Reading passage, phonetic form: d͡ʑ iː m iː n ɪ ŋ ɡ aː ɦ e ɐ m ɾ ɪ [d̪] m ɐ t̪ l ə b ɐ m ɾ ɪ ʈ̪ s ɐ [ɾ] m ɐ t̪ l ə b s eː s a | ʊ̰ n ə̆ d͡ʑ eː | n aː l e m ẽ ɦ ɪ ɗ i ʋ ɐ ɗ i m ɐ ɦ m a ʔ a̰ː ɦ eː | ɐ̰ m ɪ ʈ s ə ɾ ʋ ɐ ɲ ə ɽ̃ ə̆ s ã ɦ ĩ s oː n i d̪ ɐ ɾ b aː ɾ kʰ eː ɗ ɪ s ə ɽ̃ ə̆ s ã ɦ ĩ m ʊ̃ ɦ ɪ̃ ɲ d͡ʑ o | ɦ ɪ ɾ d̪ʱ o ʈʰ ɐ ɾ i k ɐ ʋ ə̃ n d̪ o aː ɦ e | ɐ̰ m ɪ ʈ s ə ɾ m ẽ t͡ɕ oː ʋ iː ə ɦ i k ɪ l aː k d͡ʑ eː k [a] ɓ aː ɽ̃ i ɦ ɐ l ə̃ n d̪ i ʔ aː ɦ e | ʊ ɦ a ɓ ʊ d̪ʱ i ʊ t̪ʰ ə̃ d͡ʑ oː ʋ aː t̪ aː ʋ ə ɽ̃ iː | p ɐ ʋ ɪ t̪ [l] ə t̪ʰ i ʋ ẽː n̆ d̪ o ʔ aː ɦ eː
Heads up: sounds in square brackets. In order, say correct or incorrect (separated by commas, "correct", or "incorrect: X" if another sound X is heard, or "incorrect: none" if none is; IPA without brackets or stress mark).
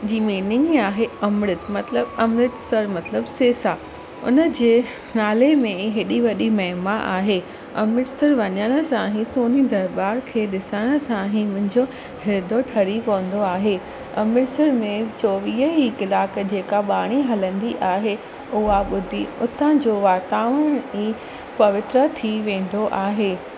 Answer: incorrect: t̪, correct, correct, incorrect: ɾ